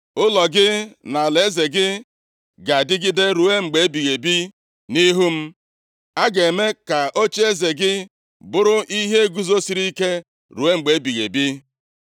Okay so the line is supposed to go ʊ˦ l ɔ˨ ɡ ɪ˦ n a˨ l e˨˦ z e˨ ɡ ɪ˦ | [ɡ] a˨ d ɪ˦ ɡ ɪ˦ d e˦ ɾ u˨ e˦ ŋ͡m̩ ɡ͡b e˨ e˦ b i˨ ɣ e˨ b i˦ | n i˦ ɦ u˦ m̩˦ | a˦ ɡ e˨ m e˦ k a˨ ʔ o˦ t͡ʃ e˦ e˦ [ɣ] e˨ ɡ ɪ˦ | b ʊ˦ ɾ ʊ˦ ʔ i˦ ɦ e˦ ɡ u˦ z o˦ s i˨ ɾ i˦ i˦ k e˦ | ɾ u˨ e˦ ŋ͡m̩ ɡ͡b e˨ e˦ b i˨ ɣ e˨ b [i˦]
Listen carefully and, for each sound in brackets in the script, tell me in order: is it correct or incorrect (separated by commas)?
correct, incorrect, correct